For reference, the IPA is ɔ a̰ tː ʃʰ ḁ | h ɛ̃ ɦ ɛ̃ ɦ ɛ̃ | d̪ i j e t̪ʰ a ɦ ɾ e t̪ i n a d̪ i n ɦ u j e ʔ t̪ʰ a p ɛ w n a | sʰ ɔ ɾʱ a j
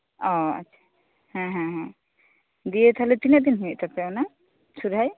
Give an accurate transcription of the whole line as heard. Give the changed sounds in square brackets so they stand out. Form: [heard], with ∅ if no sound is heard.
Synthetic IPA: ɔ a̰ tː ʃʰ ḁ | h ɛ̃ ɦ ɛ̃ ɦ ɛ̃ | d̪ i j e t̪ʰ a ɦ [l] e t̪ i n a d̪ i n ɦ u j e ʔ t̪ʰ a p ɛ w n a | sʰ [u] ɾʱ a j